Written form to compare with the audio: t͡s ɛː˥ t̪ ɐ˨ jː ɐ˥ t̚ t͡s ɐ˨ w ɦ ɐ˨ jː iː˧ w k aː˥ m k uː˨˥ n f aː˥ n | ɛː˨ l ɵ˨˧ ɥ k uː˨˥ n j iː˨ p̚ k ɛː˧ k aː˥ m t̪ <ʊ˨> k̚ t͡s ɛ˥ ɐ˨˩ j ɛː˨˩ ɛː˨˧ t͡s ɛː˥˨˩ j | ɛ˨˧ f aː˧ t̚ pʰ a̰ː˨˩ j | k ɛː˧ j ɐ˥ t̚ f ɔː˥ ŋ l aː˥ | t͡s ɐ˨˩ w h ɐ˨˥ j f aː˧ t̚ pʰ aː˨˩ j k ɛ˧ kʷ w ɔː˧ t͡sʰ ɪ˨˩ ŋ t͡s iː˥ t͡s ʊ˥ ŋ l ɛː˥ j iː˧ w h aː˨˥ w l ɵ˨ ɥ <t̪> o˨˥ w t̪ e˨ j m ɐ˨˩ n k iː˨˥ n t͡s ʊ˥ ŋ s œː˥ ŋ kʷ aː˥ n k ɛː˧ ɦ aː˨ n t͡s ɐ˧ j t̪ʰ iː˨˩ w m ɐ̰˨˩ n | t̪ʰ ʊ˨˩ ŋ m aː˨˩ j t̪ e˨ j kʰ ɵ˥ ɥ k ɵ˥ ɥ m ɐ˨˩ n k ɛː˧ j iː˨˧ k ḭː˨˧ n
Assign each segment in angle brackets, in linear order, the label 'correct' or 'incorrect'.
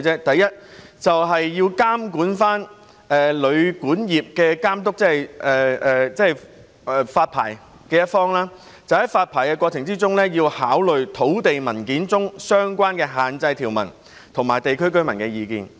incorrect, incorrect

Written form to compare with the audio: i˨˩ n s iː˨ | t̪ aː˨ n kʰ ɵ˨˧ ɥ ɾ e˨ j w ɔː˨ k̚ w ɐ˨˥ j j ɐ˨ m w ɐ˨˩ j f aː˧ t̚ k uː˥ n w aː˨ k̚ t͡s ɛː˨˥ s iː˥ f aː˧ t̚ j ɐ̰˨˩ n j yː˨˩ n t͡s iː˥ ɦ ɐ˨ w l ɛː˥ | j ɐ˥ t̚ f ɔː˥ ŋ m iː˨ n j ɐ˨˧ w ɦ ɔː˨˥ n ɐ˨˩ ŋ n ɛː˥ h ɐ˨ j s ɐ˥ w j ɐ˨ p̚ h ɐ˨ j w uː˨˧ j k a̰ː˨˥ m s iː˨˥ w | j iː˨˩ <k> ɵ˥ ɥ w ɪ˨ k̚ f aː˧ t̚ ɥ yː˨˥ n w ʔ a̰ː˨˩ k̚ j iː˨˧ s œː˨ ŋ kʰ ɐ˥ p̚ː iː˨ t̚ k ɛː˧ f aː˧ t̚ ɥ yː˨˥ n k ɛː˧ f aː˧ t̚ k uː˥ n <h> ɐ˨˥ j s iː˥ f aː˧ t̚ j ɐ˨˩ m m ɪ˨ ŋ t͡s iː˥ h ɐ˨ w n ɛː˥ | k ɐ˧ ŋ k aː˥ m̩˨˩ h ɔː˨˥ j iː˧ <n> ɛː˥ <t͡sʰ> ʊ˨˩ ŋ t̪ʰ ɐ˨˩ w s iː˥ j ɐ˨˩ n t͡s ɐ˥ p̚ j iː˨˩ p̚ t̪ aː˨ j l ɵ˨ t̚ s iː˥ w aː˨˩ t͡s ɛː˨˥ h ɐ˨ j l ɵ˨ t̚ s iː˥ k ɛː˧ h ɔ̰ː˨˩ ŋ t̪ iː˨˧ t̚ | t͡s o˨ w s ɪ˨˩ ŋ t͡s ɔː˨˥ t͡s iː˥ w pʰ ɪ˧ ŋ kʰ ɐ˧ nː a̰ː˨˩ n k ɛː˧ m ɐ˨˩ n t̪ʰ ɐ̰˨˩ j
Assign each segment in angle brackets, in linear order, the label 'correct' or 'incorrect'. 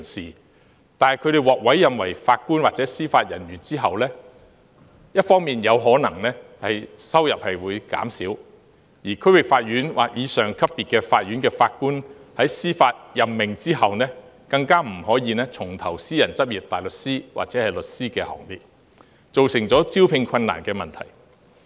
incorrect, correct, correct, correct

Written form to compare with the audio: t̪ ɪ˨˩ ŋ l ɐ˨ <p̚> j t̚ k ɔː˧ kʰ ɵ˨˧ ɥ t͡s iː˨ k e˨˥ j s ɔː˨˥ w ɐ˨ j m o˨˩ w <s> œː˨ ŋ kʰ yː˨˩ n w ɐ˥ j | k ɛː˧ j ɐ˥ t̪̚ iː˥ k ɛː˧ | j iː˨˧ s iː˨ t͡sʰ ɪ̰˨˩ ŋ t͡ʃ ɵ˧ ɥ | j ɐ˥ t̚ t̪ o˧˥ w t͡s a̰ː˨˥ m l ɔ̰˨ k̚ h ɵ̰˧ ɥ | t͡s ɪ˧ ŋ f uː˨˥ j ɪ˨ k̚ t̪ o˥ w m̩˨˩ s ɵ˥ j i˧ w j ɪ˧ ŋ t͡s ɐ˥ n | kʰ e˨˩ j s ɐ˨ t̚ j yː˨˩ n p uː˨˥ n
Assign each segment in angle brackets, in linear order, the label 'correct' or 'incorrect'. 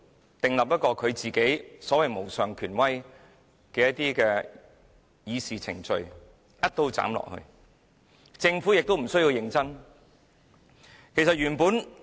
correct, correct

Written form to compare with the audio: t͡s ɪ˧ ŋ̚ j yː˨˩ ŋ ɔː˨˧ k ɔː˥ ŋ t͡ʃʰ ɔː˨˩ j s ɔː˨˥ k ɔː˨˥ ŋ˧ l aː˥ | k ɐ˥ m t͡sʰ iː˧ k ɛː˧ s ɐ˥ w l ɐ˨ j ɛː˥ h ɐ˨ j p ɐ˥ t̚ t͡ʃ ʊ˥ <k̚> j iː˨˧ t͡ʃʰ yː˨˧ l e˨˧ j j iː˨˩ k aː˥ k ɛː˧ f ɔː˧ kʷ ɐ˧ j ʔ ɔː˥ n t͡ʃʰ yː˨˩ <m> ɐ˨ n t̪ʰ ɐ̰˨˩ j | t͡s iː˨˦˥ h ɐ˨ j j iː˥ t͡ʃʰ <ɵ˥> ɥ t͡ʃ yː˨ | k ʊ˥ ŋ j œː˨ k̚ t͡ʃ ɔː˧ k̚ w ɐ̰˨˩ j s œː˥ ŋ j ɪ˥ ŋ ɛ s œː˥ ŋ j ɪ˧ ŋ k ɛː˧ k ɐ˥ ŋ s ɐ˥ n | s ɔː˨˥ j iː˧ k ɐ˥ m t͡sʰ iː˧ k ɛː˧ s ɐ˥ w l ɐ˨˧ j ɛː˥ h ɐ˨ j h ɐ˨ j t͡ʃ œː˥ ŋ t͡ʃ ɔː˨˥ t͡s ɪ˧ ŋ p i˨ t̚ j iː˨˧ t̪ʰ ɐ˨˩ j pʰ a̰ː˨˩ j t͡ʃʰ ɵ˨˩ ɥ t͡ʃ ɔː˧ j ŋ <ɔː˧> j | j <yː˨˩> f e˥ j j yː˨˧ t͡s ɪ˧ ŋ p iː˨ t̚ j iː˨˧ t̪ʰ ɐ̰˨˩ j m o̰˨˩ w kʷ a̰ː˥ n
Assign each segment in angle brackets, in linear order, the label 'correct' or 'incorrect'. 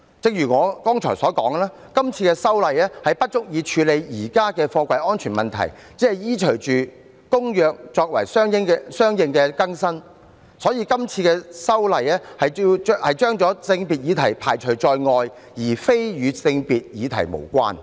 correct, correct, incorrect, correct, incorrect

